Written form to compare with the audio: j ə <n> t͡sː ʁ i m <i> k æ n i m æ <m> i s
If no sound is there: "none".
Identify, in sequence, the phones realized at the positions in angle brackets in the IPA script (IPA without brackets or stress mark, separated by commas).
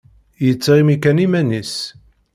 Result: none, i, n